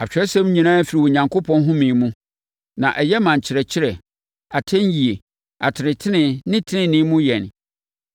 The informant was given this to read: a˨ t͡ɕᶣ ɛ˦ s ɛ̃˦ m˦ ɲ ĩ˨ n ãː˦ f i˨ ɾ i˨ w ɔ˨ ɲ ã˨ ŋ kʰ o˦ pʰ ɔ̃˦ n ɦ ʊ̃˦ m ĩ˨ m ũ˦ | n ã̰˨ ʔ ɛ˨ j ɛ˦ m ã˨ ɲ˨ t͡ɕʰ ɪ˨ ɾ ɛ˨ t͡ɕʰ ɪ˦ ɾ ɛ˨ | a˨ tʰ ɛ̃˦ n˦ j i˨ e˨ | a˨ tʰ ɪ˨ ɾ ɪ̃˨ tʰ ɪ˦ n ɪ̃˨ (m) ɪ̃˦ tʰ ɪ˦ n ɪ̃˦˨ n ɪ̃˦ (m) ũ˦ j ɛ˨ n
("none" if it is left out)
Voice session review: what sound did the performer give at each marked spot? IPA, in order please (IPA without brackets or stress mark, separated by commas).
n, m